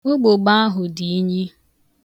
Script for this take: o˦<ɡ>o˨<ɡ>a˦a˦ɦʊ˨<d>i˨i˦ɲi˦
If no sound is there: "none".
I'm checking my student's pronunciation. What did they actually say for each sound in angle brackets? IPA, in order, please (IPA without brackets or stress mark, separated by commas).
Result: ɡ͡b, ɡ͡b, d